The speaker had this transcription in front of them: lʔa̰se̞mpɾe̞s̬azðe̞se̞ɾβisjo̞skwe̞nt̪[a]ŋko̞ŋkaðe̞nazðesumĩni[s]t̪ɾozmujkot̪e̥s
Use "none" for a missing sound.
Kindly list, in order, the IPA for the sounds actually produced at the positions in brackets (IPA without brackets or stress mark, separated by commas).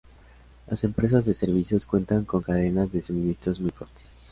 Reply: a, s